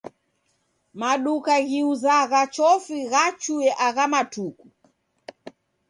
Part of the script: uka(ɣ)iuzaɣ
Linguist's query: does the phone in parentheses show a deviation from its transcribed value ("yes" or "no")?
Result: no